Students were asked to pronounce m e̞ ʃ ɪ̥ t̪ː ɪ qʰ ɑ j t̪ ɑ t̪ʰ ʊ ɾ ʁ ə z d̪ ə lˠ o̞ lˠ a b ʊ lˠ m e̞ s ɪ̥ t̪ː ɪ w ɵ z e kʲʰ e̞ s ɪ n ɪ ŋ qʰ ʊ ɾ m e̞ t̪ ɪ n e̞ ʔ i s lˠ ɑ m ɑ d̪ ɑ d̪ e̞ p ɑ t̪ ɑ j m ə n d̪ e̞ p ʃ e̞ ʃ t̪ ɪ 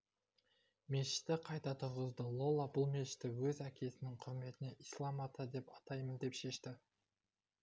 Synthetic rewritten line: m e̞ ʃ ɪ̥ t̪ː ɪ qʰ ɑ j t̪ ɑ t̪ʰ ʊ ɾ ʁ ə z d̪ ə lˠ o̞ lˠ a b ʊ lˠ m e̞ ʃ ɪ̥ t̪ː ɪ w ɵ z æ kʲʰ e̞ s ɪ n ɪ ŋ qʰ ʊ ɾ m e̞ t̪ ɪ n e̞ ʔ i s lˠ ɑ m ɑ t̪ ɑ d̪ e̞ p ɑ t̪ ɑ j m ə n d̪ e̞ p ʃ e̞ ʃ t̪ ɪ